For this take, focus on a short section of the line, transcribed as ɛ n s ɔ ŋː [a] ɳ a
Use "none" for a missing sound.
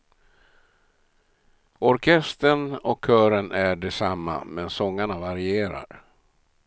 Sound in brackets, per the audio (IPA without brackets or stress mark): a